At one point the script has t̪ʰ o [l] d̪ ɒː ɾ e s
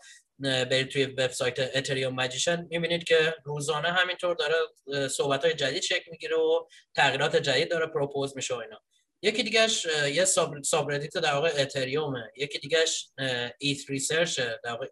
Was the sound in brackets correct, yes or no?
no